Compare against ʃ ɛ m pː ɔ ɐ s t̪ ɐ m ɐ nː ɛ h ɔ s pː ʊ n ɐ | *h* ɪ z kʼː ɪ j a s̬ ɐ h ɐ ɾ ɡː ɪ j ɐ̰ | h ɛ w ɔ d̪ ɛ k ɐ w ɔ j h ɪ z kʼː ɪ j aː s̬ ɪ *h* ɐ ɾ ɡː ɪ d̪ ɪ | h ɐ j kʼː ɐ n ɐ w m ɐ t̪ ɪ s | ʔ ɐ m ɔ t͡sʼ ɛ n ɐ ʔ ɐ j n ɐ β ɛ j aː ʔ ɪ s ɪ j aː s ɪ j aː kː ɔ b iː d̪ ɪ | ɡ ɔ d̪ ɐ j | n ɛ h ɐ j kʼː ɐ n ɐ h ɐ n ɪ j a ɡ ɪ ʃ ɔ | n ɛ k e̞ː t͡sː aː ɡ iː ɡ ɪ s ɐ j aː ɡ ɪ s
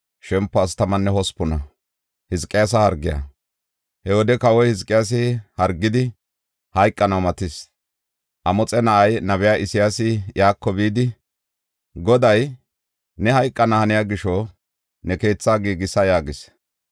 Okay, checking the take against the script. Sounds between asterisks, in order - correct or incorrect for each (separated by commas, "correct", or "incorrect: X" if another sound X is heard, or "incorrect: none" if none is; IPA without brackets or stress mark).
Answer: correct, correct